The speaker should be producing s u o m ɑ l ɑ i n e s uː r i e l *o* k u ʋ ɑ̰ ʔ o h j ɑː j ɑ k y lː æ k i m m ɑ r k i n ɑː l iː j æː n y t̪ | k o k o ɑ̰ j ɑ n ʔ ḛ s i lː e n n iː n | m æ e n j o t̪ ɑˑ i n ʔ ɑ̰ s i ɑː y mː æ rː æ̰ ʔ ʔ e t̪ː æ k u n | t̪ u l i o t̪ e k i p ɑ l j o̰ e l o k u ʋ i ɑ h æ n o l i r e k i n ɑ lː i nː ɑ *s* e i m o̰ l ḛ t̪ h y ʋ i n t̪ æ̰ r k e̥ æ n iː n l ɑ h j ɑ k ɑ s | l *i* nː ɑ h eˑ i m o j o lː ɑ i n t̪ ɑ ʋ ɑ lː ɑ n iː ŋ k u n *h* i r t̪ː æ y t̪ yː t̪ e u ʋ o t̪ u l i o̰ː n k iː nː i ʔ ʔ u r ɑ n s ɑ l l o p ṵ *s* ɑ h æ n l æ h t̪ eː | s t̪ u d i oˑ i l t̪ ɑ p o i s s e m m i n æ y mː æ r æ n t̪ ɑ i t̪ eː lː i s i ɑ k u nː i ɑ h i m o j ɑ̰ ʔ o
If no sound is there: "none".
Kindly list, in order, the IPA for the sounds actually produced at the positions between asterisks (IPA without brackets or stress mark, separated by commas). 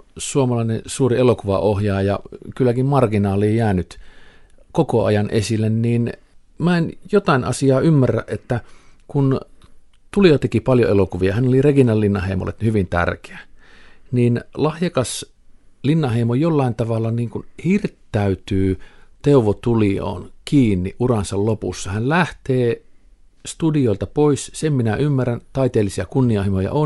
o, h, i, h, sː